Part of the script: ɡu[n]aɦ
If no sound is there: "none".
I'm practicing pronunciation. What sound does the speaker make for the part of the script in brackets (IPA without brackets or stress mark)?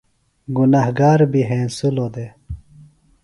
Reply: n